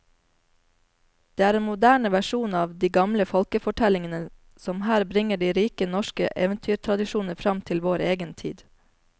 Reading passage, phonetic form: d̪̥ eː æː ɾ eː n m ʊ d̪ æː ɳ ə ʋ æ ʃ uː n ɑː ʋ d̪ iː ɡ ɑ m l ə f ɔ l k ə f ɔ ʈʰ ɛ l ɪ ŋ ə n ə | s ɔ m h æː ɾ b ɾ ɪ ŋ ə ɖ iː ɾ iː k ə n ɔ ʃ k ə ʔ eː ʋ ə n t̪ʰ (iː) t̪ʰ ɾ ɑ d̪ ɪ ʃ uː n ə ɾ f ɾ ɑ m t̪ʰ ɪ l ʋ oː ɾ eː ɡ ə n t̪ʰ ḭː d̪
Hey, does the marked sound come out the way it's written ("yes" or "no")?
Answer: no